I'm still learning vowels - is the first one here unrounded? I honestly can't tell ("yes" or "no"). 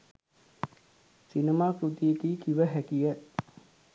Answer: yes